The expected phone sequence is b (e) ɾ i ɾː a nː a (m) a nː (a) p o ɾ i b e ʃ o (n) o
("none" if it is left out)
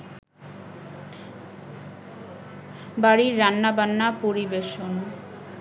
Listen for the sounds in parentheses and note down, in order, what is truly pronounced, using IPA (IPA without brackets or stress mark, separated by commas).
a, b, a, n